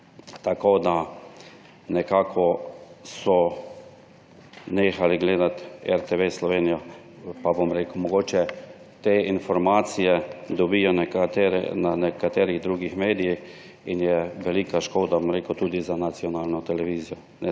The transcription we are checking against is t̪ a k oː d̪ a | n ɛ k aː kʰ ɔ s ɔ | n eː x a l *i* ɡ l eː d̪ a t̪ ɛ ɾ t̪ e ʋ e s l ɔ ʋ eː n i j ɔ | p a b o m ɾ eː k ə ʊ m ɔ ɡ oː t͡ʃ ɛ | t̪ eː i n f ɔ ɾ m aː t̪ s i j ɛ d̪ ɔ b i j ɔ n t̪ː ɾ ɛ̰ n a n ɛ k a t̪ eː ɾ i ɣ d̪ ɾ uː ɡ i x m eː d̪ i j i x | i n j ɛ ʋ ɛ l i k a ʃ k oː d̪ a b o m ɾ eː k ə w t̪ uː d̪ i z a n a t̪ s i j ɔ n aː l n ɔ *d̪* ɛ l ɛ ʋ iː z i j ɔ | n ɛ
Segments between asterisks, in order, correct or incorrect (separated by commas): correct, incorrect